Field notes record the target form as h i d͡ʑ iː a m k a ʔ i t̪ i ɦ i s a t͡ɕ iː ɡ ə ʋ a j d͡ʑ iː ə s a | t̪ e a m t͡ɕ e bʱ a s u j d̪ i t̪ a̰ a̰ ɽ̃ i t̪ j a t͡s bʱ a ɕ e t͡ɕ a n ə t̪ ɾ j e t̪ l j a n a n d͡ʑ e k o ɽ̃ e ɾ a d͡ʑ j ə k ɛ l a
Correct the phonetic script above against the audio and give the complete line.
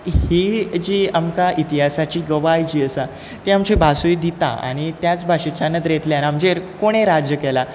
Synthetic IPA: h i d͡ʑ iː a m k a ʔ i t̪ i ɦ a s a t͡ɕ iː ɡ ə ʋ a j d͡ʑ iː ə s a | t̪ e a m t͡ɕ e bʱ a s u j d̪ i t̪ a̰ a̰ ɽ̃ i t̪ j a t͡s bʱ a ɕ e t͡ɕ a n ə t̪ ɾ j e t̪ l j a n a m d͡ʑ e k o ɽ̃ e ɾ a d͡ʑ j ə k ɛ l a

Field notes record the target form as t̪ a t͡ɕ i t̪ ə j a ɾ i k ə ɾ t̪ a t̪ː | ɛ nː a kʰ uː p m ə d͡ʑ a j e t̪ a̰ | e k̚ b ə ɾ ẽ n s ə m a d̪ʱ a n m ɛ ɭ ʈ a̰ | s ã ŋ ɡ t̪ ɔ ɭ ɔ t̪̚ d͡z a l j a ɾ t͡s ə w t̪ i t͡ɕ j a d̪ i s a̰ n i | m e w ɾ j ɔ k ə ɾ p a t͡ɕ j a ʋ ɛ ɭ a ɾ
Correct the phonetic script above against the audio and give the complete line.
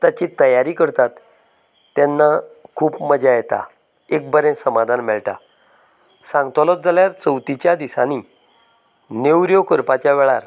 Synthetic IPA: t̪ a t͡ɕ i t̪ ə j a ɾ i k ə ɾ t̪ a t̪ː | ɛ nː a kʰ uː p m ə d͡ʑ a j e t̪ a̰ | e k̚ b ə ɾ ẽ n s ə m a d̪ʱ a n m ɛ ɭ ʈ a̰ | s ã ŋ ɡ t̪ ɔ l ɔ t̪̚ d͡z a l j a ɾ t͡s ə w t̪ i t͡ɕ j a d̪ i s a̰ n i | n e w ɾ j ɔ k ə ɾ p a t͡ɕ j a ʋ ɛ ɭ a ɾ

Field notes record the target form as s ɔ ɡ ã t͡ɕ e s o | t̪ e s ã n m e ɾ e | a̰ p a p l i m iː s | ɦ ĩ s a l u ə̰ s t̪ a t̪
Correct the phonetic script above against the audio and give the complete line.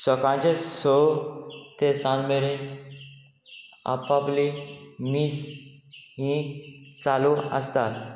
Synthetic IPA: s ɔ k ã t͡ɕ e s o | t̪ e s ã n m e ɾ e | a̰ p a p l i m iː s | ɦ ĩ t͡s a l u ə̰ s t̪ a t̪

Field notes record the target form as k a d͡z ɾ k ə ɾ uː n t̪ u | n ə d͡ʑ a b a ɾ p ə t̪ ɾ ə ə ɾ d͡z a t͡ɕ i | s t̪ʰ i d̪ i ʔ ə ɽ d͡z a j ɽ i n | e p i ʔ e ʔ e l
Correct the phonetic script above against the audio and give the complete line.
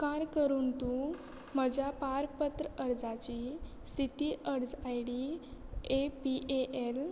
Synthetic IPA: k a ɾ k ə ɾ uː n t̪ u | m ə d͡ʑ a p a ɾ p ə t̪ ɾ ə ə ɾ d͡z a t͡ɕ i | s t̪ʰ i t̪ i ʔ ə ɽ d͡z a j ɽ i | e p i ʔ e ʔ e l

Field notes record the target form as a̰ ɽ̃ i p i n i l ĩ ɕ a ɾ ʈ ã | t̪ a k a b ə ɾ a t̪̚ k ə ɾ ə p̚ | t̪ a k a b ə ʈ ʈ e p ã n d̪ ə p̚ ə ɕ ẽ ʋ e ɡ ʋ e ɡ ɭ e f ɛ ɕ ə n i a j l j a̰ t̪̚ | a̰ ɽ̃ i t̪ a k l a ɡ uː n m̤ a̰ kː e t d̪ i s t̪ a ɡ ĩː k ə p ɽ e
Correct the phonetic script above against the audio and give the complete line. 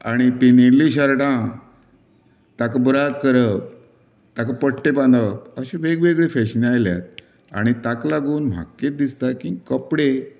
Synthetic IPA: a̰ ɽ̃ i p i n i l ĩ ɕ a ɾ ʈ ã | t̪ a k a b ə ɾ a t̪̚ k ə ɾ ə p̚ | t̪ a k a p ə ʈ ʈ e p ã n d̪ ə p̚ ə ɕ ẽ ʋ e ɡ ʋ e ɡ ɭ e f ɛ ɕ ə n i a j l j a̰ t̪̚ | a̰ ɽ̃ i t̪ a k l a ɡ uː n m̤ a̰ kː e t d̪ i s t̪ a k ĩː k ə p ɽ e

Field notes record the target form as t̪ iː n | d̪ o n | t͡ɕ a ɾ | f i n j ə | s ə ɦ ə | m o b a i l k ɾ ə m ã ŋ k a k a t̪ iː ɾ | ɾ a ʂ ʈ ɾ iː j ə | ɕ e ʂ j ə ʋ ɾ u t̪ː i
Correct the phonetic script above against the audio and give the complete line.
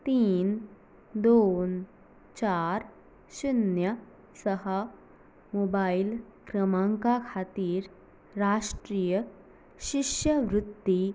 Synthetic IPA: t̪ iː n | d̪ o n | t͡ɕ a ɾ | ɕ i n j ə | s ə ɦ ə | m o b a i l k ɾ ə m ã ŋ k a kʰ a t̪ iː ɾ | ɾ a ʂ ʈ ɾ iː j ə | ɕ i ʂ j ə ʋ ɾ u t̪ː i

